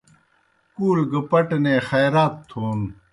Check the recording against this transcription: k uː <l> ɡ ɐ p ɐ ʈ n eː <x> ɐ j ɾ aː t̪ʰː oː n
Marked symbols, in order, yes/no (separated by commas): yes, yes